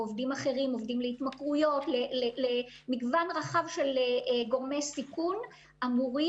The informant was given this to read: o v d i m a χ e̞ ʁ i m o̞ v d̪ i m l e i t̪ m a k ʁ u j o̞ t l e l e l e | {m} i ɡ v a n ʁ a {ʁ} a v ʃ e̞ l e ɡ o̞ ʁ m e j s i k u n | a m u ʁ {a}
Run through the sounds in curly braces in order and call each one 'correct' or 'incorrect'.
correct, incorrect: χ, incorrect: i

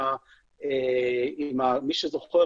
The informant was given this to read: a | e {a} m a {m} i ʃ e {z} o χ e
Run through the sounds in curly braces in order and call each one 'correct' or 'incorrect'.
incorrect: i, correct, correct

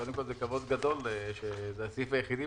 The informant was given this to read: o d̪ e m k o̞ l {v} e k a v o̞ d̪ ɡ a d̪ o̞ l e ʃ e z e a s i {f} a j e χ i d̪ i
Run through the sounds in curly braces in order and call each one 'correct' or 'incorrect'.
incorrect: z, correct

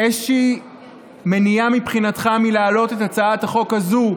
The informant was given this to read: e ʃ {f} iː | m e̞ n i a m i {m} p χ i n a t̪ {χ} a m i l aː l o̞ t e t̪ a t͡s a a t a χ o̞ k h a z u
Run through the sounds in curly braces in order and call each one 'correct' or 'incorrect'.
incorrect: ʃ, incorrect: none, correct

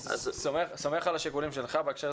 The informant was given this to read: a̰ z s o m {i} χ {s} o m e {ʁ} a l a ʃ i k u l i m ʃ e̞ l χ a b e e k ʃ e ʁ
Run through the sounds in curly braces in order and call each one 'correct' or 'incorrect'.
incorrect: e, correct, incorrect: χ

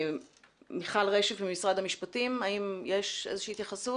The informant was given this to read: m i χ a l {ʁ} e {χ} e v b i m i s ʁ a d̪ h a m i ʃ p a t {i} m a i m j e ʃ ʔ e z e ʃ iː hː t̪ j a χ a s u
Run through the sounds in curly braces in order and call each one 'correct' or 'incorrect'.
correct, incorrect: ʃ, correct

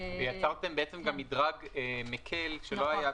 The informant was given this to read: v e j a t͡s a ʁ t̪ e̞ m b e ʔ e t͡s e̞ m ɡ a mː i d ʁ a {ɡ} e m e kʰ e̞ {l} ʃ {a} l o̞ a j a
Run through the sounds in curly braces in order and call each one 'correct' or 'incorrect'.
correct, correct, incorrect: e

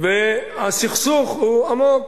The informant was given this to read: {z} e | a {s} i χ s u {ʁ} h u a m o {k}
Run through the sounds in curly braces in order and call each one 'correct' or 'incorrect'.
incorrect: v, correct, incorrect: χ, correct

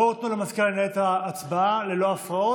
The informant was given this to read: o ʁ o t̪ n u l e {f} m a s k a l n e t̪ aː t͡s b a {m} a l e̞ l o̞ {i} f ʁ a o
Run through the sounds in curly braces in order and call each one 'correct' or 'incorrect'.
incorrect: none, incorrect: none, incorrect: a

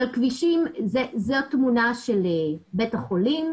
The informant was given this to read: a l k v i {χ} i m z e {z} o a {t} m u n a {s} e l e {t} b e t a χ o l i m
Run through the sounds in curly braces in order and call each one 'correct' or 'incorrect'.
incorrect: ʃ, correct, correct, incorrect: ʃ, incorrect: none

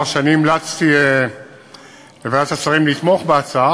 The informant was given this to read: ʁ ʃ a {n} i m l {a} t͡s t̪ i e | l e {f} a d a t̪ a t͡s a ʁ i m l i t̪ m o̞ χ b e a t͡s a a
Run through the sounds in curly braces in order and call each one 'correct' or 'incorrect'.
correct, correct, incorrect: v

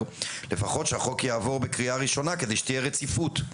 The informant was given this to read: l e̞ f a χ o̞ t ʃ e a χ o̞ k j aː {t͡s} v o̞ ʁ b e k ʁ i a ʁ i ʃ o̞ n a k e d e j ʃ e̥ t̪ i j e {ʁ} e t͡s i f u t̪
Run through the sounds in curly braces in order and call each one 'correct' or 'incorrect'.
incorrect: none, correct

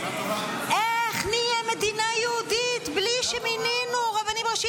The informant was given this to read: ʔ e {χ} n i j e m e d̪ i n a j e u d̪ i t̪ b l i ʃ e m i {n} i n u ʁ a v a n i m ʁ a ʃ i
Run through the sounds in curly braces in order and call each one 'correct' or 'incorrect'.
correct, correct

